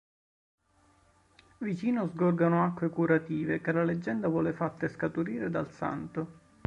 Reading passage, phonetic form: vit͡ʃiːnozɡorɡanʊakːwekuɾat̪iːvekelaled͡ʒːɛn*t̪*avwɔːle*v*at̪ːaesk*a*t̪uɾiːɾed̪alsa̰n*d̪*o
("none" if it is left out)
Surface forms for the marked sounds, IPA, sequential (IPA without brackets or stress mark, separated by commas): d̪, f, a, t̪